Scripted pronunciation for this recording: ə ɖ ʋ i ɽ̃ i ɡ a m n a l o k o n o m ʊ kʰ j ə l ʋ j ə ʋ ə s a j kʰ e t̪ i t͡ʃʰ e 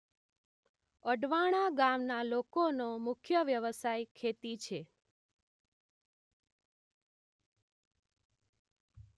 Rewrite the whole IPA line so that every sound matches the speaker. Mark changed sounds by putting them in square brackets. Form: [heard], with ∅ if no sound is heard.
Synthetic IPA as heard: ə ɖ ʋ [a] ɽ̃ [a] ɡ a m n a l o k o n o m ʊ kʰ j ə [∅] ʋ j ə ʋ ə s a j kʰ e t̪ i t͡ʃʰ e

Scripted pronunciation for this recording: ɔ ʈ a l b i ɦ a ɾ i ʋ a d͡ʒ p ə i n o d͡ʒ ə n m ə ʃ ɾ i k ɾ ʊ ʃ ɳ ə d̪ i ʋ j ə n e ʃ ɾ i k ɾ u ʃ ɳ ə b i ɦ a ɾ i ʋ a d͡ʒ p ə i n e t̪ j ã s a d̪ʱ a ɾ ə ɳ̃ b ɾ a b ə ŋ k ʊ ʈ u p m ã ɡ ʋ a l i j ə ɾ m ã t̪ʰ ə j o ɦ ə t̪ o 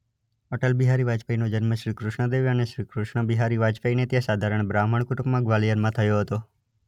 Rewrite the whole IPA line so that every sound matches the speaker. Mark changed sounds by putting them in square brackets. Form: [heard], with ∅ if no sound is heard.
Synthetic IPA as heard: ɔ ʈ [ə] l b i ɦ a ɾ i ʋ a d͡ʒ p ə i n o d͡ʒ ə n m ə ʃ ɾ i k ɾ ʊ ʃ ɳ ə d̪ [e] ʋ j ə n e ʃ ɾ i k ɾ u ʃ ɳ ə b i ɦ a ɾ i ʋ a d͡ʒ p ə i n e t̪ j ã s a d̪ʱ a ɾ ə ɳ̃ b ɾ a [m] ə [ɳ] k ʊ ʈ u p m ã ɡ ʋ a l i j ə ɾ m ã t̪ʰ ə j o ɦ ə t̪ o

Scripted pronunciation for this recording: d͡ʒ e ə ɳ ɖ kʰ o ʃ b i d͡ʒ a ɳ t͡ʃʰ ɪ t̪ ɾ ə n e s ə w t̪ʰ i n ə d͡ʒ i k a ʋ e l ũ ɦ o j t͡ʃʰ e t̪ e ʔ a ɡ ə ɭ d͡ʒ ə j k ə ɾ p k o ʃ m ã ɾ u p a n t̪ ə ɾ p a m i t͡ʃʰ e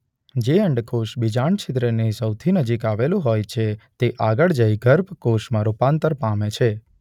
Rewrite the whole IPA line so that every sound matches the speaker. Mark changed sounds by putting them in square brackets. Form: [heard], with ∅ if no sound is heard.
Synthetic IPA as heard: d͡ʒ e ə ɳ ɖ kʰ o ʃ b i d͡ʒ a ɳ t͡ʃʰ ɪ t̪ ɾ ə n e s ə w t̪ʰ i n ə d͡ʒ i k a ʋ e l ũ ɦ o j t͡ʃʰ e t̪ e ʔ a ɡ ə ɭ d͡ʒ ə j [ɡ] ə ɾ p k o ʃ m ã ɾ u p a n t̪ ə ɾ p a m [e] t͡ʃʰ e

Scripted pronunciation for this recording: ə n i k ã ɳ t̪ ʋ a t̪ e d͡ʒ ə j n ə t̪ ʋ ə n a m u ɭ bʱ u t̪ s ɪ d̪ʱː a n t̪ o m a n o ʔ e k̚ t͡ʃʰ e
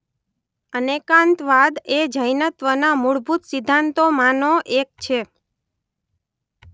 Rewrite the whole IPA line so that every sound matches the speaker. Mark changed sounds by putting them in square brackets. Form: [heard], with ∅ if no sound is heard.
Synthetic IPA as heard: ə n [e] k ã [n] t̪ ʋ a [d̪] e d͡ʒ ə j n ə t̪ ʋ ə n a m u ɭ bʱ u t̪ s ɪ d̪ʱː a n t̪ o m a n o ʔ e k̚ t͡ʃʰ e

